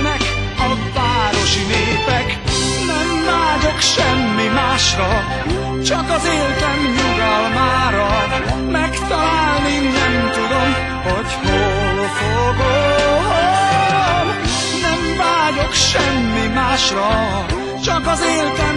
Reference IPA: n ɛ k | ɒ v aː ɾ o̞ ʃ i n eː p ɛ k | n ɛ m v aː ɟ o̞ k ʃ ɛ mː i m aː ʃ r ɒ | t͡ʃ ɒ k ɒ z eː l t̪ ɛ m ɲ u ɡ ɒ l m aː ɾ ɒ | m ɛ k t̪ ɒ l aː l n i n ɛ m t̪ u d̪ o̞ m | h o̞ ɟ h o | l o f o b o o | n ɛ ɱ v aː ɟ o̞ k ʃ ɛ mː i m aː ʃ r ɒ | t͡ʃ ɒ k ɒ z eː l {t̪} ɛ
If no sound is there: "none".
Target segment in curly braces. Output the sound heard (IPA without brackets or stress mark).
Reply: t̪